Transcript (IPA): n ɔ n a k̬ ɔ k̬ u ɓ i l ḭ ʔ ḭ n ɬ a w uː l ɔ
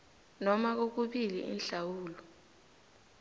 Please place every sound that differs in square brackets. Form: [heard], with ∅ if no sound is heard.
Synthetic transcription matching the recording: n ɔ [m] a k̬ [o] k̬ u ɓ i l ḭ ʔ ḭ n ɬ a w uː l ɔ